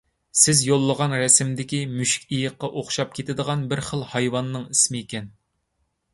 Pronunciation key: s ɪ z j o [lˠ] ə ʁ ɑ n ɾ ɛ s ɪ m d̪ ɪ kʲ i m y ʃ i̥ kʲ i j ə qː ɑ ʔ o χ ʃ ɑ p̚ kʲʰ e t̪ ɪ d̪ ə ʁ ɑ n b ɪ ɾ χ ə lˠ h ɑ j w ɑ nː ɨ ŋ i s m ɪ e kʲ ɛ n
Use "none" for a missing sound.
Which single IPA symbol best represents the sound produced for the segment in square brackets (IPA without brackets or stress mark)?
lˠː